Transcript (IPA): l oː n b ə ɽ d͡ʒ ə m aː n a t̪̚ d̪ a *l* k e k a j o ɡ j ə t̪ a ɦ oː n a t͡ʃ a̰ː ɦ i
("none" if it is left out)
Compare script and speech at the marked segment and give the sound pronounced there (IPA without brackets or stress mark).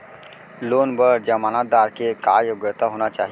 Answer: ɾ